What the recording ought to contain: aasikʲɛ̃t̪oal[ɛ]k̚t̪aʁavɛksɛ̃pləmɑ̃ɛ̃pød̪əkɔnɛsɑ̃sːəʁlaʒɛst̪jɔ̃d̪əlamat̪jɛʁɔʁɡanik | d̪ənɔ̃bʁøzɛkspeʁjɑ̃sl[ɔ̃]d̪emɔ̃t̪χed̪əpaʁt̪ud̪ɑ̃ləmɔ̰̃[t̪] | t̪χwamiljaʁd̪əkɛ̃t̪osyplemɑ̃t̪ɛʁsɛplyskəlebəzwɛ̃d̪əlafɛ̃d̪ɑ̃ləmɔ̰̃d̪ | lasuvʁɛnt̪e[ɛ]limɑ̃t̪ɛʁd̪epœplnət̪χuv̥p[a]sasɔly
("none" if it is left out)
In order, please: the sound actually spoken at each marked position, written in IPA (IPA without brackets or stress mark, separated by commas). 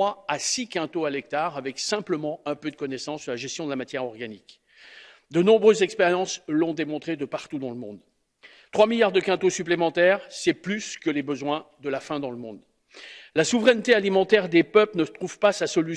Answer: ɛ, ɔ̃, d̪, a, a